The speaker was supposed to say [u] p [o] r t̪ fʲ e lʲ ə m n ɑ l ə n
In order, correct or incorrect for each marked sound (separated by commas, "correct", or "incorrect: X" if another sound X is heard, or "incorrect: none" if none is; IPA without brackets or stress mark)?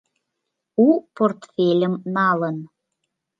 correct, correct